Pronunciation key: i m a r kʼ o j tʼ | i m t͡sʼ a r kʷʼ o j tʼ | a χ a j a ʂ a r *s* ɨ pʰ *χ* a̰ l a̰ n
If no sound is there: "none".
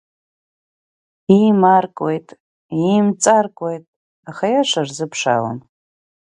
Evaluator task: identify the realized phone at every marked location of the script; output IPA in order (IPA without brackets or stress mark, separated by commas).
z, ʂ